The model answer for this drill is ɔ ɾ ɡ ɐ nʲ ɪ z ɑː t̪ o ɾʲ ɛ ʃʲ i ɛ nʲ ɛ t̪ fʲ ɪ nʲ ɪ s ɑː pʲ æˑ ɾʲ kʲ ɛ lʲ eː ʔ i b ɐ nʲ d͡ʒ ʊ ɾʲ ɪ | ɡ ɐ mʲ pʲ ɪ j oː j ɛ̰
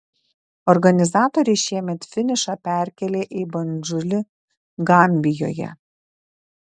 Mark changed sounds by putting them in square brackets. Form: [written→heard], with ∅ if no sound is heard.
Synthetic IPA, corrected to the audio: ɔ ɾ ɡ ɐ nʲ ɪ z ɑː t̪ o ɾʲ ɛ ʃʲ i ɛ [nʲ→mʲ] ɛ t̪ fʲ ɪ nʲ ɪ [s→ʃ] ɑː pʲ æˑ ɾʲ kʲ ɛ lʲ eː ʔ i b ɐ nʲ d͡ʒ ʊ [ɾʲ→lʲ] ɪ | ɡ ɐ mʲ [pʲ→bʲ] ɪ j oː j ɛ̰